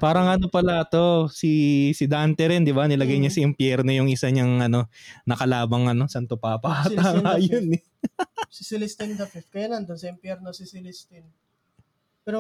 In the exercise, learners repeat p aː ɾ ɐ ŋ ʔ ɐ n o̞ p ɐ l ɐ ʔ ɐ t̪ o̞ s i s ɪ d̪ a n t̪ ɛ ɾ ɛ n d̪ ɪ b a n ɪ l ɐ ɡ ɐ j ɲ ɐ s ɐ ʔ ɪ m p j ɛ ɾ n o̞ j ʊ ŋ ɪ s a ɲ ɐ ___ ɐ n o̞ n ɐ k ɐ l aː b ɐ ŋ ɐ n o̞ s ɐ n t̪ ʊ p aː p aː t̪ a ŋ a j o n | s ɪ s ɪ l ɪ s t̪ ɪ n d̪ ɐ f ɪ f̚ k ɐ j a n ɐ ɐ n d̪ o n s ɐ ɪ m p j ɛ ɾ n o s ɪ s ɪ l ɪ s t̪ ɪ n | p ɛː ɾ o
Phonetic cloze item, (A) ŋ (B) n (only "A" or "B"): A